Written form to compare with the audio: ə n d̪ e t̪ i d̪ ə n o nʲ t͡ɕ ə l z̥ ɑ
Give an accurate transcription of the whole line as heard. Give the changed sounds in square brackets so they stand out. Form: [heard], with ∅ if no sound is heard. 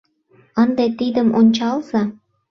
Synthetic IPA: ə n d̪ e t̪ i d̪ ə [m] o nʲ t͡ɕ [ɑ] l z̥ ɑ